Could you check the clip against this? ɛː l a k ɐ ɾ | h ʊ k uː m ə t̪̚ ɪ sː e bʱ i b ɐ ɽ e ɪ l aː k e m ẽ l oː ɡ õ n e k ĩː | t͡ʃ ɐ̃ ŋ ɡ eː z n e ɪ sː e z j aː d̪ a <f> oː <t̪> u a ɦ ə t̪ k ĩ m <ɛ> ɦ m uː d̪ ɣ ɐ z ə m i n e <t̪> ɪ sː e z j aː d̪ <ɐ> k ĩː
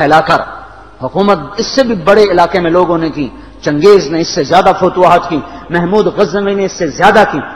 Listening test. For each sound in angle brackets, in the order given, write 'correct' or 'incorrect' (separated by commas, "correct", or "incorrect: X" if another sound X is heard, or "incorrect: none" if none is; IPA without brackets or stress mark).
correct, correct, correct, incorrect: none, incorrect: a